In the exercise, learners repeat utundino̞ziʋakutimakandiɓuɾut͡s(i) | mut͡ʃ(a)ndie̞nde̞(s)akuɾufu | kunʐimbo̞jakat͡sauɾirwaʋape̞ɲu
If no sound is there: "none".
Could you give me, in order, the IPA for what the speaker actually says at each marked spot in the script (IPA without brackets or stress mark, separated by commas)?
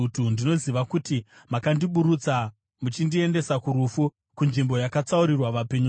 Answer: a, i, s